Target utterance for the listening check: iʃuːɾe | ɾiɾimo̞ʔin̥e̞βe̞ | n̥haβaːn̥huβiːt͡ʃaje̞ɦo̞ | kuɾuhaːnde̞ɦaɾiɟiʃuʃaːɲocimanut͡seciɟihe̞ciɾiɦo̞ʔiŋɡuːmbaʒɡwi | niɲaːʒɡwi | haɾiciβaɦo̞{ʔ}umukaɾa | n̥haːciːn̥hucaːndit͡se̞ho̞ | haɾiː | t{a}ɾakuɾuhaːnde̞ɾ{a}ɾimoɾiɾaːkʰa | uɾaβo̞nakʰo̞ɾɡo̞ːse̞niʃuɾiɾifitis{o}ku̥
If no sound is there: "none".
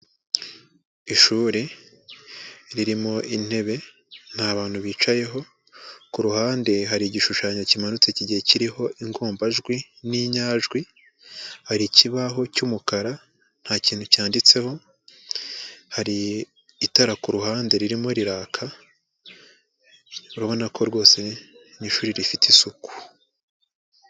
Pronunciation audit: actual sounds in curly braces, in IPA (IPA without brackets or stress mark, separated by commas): c, a, i, u